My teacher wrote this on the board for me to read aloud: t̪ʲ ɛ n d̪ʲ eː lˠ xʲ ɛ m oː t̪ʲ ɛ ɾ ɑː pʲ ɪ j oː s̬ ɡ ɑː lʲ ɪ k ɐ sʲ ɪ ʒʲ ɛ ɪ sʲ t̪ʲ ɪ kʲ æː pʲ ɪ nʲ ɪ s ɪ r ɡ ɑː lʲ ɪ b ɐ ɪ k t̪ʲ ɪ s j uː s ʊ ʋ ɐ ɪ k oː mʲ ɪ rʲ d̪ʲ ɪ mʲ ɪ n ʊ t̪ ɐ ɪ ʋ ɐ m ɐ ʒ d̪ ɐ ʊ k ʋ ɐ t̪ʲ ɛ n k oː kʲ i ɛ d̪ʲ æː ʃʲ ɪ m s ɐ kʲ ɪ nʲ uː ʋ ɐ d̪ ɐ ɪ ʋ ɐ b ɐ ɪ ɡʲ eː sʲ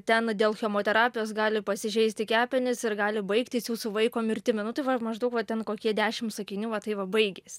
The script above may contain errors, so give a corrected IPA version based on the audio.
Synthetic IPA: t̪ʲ ɛ n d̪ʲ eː lˠ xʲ ɛ m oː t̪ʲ ɛ ɾ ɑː pʲ ɪ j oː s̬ ɡ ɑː lʲ ɪ p ɐ sʲ ɪ ʒʲ ɛ ɪ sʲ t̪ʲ ɪ kʲ æː pʲ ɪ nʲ ɪ s ɪ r ɡ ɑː lʲ ɪ b ɐ ɪ k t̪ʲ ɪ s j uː s ʊ ʋ ɐ ɪ k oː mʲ ɪ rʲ t̪ʲ ɪ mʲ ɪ n ʊ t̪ ɐ ɪ ʋ ɐ m ɐ ʒ d̪ ɐ ʊ k ʋ ɐ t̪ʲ ɛ n k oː kʲ i ɛ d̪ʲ æː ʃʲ ɪ m s ɐ kʲ ɪ nʲ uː ʋ ɐ t̪ ɐ ɪ ʋ ɐ b ɐ ɪ ɡʲ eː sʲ